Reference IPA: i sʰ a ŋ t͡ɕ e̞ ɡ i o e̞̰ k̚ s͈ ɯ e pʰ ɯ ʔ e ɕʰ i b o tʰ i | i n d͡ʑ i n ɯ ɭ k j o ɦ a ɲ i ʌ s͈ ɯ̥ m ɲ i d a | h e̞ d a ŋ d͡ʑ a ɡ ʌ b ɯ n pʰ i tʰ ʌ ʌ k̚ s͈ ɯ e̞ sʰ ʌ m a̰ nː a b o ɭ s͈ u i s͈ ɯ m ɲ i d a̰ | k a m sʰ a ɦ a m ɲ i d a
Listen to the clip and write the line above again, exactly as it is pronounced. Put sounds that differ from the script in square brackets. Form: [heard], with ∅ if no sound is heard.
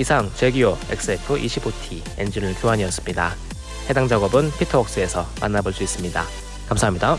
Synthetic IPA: i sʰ a ŋ t͡ɕ e̞ ɡ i o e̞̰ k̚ s͈ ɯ e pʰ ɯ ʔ [i] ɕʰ i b o tʰ i | [e] n d͡ʑ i n ɯ ɭ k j o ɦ a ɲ i ʌ s͈ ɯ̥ m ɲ i d a | h e̞ d a ŋ d͡ʑ a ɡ ʌ b ɯ n pʰ i tʰ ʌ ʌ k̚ s͈ ɯ e̞ sʰ ʌ m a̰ nː a b o ɭ s͈ u i s͈ ɯ m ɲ i d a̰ | k a m sʰ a ɦ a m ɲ i d a